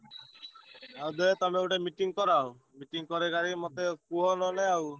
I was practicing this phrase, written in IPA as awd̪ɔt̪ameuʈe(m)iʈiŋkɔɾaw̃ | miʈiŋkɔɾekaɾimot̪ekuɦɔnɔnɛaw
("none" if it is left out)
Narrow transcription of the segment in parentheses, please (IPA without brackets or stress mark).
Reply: m